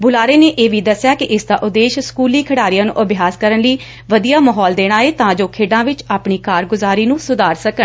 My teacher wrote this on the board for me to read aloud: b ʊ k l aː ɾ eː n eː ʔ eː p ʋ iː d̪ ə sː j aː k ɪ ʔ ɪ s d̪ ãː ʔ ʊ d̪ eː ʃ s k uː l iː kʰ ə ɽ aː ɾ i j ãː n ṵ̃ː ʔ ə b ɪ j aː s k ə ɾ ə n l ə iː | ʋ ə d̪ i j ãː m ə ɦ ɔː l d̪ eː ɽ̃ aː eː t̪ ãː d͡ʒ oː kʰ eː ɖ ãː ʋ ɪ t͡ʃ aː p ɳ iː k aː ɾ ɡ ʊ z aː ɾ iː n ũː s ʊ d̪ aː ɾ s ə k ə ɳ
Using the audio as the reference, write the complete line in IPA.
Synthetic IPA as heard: b ʊ l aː ɾ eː n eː ʔ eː ʋ iː d̪ ə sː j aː k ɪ ʔ ɪ s d̪ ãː ʔ ʊ d̪ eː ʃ s k uː l iː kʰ ə ɽ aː ɾ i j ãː n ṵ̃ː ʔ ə b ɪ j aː s k ə ɾ ə n l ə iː | ʋ ə d̪ i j aː m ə ɦ ɔː l d̪ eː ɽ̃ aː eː t̪ ãː d͡ʒ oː kʰ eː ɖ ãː ʋ ɪ t͡ʃ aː p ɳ iː k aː ɾ ɡ ʊ z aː ɾ iː n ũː s ʊ d̪ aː ɾ s ə k ə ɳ